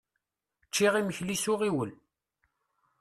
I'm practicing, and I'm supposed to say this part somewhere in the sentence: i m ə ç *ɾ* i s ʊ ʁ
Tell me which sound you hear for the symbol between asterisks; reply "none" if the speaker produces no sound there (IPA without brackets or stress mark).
l